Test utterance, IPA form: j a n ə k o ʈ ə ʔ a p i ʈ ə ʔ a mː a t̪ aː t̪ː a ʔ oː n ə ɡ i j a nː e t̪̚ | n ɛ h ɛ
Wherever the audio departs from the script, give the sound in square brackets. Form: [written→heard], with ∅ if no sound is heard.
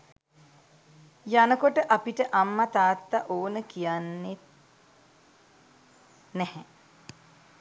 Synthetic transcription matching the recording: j a n ə k o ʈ ə ʔ a p i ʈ ə ʔ a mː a t̪ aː t̪ː a ʔ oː n ə [ɡ→k] i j a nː e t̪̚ | n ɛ h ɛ